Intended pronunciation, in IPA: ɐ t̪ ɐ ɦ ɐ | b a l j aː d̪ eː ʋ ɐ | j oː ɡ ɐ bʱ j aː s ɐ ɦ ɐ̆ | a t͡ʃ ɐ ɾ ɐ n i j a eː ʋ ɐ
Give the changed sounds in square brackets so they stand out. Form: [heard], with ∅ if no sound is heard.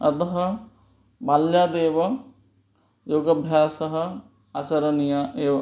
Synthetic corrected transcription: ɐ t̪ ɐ ɦ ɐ | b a l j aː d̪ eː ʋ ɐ | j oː ɡ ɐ bʱ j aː s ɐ ɦ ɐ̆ | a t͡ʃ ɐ ɾ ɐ n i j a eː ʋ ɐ